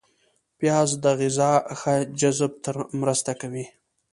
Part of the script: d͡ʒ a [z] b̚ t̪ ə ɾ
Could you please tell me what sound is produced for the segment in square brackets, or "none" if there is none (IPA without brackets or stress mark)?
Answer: z